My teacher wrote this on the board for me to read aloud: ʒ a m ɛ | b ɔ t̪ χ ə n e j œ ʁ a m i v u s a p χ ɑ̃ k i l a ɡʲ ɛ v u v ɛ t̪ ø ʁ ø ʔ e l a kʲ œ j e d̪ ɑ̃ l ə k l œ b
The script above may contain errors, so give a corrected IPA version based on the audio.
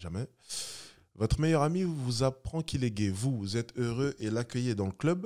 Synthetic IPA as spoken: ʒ a m ɛ | v ɔ t̪ χ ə m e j œ ʁ a m i v u z a p χ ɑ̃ k i l ɛ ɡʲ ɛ v u z ɛ t̪ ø ʁ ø ʔ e l a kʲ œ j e d̪ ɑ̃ l ə k l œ b